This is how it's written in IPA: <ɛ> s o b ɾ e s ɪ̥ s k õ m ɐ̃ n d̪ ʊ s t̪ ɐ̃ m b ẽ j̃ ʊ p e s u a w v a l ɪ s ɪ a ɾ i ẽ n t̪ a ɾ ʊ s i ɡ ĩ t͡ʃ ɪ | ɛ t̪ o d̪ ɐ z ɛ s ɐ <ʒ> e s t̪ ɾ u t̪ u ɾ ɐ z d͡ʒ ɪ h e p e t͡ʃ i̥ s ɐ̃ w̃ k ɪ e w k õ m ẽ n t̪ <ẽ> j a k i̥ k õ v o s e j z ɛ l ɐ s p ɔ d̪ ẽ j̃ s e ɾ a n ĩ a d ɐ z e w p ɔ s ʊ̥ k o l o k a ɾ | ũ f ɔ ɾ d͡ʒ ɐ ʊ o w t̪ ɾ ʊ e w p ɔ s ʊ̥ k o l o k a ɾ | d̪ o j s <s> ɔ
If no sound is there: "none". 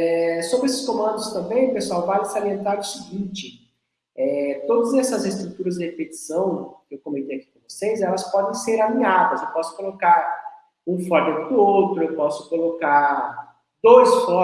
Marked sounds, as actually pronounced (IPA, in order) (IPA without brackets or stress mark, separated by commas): ɛ, z, e, f